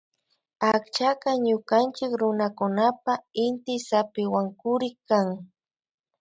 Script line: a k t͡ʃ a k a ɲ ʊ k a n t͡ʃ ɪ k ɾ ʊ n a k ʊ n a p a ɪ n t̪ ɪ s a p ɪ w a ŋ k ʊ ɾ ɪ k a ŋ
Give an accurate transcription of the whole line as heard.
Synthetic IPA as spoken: a k t͡ʃ a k a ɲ ʊ k a n t͡ʃ ɪ k ɾ ʊ n a k ʊ n a p a ɪ n t̪ ɪ s a p ɪ w a ŋ k ʊ ɾ ɪ k a ŋ